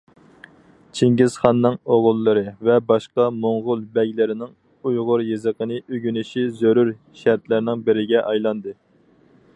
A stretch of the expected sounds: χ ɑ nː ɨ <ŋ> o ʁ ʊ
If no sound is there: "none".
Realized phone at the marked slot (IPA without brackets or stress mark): ŋ